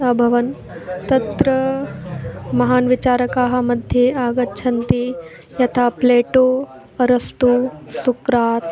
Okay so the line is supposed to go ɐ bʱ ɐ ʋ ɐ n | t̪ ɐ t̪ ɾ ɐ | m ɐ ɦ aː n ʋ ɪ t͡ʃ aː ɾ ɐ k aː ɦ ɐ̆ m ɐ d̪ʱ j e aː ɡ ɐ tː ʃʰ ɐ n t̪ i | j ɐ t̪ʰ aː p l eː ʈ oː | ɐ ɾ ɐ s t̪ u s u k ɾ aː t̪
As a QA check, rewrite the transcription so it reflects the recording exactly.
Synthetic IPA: ɐ bʱ ɐ ʋ ɐ n | t̪ ɐ t̪ ɾ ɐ | m ɐ ɦ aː n ʋ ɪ t͡ʃ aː ɾ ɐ k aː ɦ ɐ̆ m ɐ d̪ʱ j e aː ɡ ɐ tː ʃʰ ɐ n t̪ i | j ɐ t̪ʰ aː p l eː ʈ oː | ɐ ɾ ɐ s t̪ u s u k ɾ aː t̪

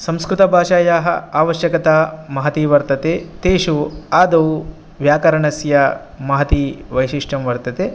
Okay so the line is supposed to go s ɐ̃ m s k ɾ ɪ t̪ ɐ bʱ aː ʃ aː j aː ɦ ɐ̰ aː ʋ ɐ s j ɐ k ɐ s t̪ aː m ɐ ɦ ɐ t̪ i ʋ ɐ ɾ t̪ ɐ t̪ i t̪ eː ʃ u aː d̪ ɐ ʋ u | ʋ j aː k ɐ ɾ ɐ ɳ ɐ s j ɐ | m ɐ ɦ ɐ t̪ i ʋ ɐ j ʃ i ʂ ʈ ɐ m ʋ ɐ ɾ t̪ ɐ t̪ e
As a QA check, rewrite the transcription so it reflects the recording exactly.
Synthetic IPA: s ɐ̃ m s k ɾ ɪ t̪ ɐ bʱ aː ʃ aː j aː ɦ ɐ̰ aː ʋ ɐ ʃ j ɐ k ɐ t̪ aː m ɐ ɦ ɐ t̪ i ʋ ɐ ɾ t̪ ɐ t̪ e t̪ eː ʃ u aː d̪ ɐ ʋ u | ʋ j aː k ɐ ɾ ɐ ɳ ɐ s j ɐ | m ɐ ɦ ɐ t̪ i ʋ ɐ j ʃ i ʂ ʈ ɐ m ʋ ɐ ɾ t̪ ɐ t̪ e

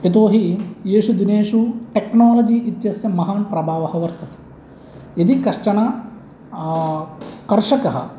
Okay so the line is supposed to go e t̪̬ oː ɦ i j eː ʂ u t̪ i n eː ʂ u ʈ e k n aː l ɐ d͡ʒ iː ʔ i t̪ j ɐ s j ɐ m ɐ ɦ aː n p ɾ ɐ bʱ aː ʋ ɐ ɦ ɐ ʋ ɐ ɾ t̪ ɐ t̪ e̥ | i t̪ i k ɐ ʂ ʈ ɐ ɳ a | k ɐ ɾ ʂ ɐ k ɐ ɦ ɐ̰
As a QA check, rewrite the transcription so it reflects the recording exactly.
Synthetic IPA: e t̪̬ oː ɦ i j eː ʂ u d̪ i n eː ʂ u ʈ e k n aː l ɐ d͡ʒ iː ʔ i t̪ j ɐ s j ɐ m ɐ ɦ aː n p ɾ ɐ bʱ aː ʋ ɐ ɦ ɐ ʋ ɐ ɾ t̪ ɐ t̪ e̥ | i d̪ i k ɐ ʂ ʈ ɐ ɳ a | k ɐ ɾ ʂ ɐ k ɐ ɦ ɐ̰

